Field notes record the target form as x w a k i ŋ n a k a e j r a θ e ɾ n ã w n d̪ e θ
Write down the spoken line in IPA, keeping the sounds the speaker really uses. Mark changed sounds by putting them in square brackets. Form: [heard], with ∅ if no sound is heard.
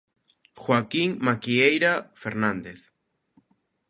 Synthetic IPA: x w a k i ŋ [m] a k [i] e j [ɾ] a [f] e ɾ n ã [∅] n d̪ e θ